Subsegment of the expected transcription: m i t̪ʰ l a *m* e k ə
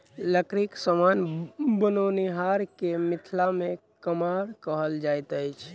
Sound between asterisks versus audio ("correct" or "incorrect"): correct